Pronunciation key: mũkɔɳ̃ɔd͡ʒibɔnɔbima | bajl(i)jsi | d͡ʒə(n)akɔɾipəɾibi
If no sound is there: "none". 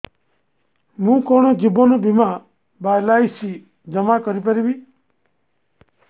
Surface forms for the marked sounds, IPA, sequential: a, m

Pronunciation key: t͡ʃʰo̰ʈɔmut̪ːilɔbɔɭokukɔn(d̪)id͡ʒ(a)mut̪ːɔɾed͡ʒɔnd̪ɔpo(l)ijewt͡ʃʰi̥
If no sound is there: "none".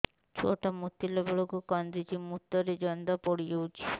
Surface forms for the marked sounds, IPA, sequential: d̪, i, ɽ

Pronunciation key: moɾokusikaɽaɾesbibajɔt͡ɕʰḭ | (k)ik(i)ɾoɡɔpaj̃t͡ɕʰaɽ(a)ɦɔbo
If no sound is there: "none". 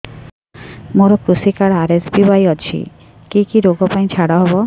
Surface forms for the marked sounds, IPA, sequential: k, i, a

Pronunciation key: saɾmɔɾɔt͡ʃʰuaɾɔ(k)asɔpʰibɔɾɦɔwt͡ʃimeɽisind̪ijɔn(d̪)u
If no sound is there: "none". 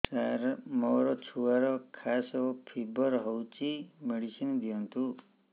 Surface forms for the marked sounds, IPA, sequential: kʰ, t̪

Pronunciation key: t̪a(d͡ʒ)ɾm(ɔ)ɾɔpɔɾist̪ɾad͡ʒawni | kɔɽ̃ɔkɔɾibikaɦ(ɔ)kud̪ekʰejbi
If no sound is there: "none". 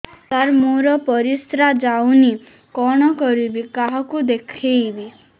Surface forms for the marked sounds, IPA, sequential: none, o, ɔ

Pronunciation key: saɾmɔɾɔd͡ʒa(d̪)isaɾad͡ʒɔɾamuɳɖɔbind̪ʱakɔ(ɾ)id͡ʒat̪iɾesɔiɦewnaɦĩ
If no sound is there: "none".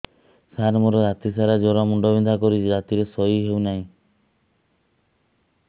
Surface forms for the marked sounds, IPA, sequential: t̪, ɾ

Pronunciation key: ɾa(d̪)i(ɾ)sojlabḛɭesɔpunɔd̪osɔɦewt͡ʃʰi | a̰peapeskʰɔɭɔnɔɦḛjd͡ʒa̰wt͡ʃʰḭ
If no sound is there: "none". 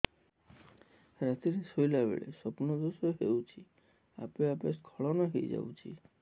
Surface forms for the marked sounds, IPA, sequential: t̪, ɾ

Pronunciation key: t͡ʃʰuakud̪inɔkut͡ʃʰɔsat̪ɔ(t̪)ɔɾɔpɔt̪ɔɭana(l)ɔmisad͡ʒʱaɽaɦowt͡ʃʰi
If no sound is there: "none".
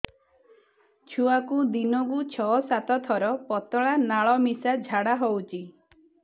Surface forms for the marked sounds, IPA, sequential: t̪ʰ, ɭ

